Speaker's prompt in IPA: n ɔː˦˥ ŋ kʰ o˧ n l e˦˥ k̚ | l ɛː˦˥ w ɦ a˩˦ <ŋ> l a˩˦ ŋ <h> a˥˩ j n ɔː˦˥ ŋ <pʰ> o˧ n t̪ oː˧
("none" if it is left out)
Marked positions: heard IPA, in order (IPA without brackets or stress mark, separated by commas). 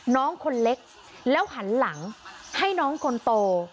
n, h, kʰ